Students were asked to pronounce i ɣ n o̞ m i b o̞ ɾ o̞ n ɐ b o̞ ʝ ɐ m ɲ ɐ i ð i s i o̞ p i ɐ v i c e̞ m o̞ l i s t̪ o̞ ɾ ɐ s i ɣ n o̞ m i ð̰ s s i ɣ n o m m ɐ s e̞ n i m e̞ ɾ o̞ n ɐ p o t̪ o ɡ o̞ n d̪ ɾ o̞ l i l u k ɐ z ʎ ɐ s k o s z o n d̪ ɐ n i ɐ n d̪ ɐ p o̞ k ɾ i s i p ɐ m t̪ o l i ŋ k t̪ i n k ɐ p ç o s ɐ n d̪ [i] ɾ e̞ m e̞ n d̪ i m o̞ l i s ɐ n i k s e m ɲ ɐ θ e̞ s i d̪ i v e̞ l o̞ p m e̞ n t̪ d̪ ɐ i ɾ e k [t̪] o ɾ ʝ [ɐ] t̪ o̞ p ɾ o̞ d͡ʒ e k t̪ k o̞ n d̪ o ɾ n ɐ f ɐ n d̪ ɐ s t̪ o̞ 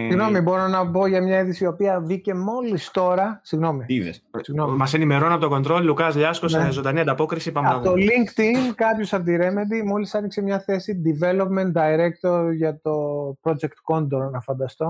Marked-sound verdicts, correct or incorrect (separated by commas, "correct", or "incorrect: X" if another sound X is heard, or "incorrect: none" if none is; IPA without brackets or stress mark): correct, correct, correct